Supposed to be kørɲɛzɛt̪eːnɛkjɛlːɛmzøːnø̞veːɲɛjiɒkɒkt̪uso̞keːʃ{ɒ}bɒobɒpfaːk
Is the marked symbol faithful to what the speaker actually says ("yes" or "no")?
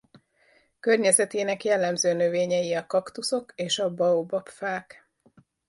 yes